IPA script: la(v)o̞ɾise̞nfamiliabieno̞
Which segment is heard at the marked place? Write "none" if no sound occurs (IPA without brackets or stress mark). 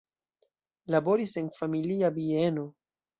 b